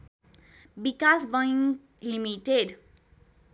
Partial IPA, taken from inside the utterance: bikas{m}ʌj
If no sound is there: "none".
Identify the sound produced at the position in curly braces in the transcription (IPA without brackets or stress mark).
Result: b